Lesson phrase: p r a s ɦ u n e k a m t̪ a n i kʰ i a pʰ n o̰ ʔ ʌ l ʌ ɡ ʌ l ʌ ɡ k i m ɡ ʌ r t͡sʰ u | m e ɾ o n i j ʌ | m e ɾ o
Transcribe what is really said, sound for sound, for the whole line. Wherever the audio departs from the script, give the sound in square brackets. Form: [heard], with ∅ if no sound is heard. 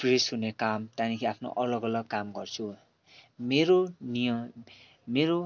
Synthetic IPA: p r [e] s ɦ u n e k a m t̪ a n i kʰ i a pʰ n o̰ ʔ ʌ l ʌ ɡ ʌ l ʌ ɡ k [a] m ɡ ʌ r t͡sʰ u | m e ɾ o n i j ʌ | m e ɾ o